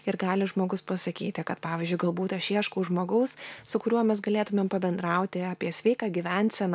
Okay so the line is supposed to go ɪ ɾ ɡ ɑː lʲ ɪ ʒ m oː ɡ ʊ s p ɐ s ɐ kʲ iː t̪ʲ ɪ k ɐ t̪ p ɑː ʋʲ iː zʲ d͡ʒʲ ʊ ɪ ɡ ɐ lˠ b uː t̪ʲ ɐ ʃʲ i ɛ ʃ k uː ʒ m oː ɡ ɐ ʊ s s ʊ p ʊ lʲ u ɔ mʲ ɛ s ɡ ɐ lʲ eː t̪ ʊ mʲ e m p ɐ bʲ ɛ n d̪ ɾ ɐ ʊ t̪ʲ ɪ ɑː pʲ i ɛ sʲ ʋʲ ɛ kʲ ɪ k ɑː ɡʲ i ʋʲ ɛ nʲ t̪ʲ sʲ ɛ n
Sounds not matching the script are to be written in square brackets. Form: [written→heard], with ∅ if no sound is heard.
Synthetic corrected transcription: ɪ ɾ ɡ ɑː lʲ ɪ ʒ m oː ɡ ʊ s p ɐ s ɐ kʲ iː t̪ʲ ɪ k ɐ t̪ p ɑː ʋʲ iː zʲ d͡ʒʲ ʊ ɪ ɡ ɐ lˠ b uː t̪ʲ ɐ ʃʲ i ɛ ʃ k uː ʒ m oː ɡ ɐ ʊ s s ʊ [p→k] ʊ [lʲ→ɾʲ] u ɔ mʲ ɛ s ɡ ɐ lʲ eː t̪ ʊ mʲ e m p ɐ bʲ ɛ n d̪ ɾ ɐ ʊ t̪ʲ ɪ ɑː pʲ i ɛ sʲ ʋʲ ɛ [kʲ→∅] ɪ k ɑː ɡʲ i ʋʲ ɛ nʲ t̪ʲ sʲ ɛ n